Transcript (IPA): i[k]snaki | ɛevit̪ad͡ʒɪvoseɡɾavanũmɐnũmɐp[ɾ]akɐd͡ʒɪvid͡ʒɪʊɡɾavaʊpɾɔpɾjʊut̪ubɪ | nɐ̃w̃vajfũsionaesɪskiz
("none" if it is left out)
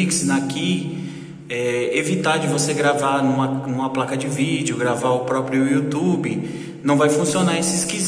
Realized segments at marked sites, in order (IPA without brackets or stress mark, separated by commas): k, l